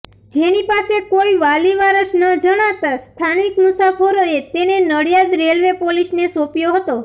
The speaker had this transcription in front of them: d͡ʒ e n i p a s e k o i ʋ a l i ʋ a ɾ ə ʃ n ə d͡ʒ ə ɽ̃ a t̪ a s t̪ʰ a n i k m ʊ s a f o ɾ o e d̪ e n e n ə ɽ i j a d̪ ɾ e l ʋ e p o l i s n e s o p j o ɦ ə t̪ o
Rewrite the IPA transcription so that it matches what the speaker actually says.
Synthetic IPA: d͡ʒ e n i p a s e k o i ʋ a l i ʋ a ɾ ə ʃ n ə d͡ʒ ə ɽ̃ a t̪ a s t̪ʰ a n i k m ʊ s a f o ɾ o e t̪ e n e n ə ɽ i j a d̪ ɾ e l ʋ e p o l i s n e s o p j o ɦ ə t̪ o